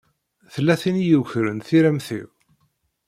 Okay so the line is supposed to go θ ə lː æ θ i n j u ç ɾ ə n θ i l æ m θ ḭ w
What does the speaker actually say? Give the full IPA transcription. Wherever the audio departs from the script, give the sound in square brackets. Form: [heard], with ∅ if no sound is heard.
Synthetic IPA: θ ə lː æ θ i n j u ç ɾ ə n θ i [ɾ] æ m θ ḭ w